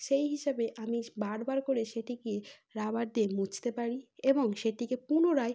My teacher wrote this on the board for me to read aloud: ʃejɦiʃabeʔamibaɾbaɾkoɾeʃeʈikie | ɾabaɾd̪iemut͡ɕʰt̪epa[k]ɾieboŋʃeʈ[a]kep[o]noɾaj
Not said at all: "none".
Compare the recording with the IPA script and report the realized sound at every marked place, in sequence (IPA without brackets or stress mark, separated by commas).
none, i, u